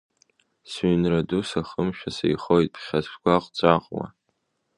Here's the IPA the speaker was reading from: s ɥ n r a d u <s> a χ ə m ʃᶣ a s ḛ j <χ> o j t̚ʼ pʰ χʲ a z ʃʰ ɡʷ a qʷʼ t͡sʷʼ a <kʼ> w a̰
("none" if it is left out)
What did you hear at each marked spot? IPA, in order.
s, χ, qʼ

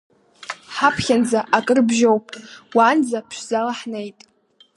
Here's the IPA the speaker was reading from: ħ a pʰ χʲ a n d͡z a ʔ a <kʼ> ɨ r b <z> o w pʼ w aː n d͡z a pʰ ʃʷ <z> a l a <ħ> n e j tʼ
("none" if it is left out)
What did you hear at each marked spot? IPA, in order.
kʼ, ʒ, z, ħ

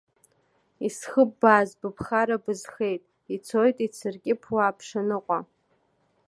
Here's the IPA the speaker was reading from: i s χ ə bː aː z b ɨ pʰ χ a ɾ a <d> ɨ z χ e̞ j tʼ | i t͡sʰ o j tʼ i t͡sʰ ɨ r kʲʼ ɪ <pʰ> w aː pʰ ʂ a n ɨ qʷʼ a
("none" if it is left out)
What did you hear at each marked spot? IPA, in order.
b, pʰ

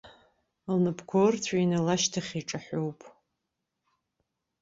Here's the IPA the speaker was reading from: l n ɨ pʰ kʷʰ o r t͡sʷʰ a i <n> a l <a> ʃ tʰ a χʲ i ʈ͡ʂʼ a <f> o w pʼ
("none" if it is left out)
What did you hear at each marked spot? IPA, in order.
n, a, ħ

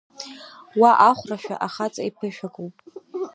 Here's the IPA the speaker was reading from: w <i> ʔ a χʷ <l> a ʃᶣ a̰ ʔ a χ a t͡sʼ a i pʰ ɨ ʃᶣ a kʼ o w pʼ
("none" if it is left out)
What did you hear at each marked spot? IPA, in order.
a, r

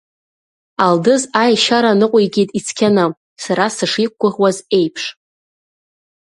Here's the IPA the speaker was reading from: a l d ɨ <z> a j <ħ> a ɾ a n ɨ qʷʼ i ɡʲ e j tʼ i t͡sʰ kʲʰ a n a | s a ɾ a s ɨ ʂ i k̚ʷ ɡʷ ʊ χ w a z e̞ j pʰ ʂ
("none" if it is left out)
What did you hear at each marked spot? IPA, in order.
z, ʃ

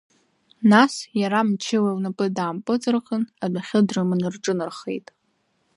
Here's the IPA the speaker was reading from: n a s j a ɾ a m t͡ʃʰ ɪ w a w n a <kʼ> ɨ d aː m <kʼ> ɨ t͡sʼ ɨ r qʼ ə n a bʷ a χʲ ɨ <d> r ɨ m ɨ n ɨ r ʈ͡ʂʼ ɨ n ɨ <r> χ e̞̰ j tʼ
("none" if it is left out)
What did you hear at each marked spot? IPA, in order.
pʼ, pʼ, d, r

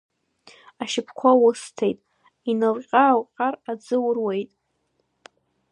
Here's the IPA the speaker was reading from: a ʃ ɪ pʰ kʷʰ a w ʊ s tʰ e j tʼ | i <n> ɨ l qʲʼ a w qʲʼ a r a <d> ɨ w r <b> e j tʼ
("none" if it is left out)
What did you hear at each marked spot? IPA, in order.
n, d͡z, w

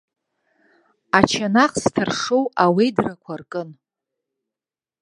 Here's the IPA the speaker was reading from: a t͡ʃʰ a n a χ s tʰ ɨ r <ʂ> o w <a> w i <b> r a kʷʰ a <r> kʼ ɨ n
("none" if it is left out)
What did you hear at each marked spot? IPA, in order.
ʂ, a, d, r

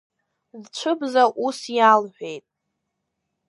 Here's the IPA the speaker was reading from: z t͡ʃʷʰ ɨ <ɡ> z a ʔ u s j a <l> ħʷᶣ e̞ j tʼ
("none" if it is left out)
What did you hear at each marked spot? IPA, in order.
b, l

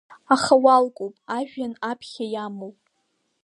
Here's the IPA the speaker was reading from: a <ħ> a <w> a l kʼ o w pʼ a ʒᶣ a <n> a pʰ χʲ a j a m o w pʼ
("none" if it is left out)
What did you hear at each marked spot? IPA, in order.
χ, w, n

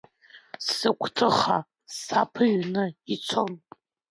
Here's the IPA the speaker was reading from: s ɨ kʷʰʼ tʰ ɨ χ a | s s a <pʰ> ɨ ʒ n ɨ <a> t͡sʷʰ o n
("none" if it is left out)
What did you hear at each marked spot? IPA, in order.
pʰ, i

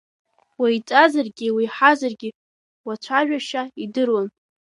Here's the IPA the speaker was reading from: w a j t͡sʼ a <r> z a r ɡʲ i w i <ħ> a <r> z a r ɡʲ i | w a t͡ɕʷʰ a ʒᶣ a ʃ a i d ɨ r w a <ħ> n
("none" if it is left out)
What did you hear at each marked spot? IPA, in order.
none, ħ, none, none

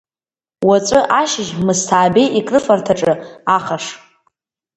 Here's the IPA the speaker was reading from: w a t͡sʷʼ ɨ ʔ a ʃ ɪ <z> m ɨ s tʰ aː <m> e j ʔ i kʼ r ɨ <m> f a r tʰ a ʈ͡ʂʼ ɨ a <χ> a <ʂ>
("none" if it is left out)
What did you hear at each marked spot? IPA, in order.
ʒ, b, none, χ, ʂ

